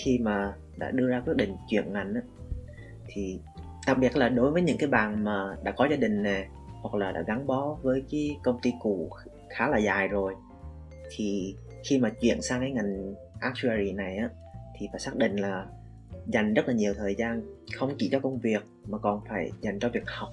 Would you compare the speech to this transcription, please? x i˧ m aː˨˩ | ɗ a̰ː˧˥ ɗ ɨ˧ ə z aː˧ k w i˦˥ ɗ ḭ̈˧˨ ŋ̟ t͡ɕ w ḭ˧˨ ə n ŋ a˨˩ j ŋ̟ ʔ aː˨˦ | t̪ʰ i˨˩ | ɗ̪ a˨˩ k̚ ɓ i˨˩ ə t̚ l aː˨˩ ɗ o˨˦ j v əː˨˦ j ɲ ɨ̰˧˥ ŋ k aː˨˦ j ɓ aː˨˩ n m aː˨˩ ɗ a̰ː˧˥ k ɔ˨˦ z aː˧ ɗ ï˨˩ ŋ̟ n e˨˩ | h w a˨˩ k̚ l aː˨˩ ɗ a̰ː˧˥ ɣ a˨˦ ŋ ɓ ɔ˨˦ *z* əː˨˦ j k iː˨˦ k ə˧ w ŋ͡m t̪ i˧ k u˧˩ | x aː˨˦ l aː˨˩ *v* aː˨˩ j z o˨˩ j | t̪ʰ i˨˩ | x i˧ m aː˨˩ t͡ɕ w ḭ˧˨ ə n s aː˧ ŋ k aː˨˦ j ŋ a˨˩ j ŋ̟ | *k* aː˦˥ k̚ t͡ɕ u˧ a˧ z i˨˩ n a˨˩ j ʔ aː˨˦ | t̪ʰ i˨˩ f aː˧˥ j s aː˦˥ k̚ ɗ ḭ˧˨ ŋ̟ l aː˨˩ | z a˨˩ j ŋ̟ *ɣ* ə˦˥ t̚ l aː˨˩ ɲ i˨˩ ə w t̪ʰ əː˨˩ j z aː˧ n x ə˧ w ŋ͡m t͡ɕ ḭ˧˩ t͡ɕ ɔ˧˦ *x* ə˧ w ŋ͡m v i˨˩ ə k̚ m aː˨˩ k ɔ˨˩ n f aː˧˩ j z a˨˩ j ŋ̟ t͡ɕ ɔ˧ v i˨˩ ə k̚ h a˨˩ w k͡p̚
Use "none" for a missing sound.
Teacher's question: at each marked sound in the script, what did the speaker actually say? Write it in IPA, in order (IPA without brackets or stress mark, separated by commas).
v, z, ʔ, z, k